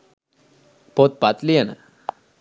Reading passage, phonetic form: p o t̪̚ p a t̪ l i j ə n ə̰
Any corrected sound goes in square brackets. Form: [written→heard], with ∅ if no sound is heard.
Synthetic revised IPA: p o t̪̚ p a t̪ l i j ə n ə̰